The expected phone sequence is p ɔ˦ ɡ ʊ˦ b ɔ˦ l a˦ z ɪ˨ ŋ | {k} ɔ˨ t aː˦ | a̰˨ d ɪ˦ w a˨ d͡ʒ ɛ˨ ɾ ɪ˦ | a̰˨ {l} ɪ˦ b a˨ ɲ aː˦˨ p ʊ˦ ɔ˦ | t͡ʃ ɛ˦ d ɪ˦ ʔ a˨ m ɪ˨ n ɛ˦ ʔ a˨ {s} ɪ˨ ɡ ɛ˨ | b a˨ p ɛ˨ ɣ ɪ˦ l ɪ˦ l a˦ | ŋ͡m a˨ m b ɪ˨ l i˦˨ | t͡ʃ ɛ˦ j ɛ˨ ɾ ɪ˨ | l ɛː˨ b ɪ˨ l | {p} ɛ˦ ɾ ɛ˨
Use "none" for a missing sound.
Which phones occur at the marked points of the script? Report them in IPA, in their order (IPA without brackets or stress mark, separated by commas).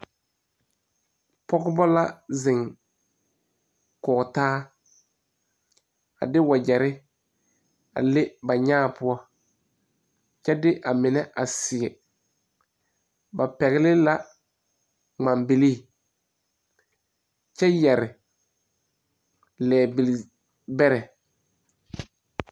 k, l, s, b